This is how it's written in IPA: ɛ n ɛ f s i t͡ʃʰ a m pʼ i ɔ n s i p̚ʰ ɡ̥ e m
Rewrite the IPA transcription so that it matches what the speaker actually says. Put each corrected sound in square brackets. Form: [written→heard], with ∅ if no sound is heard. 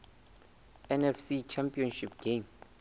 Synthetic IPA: ɛ n ɛ f s i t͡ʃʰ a m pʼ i ɔ n [s→ʃ] i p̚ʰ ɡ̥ e m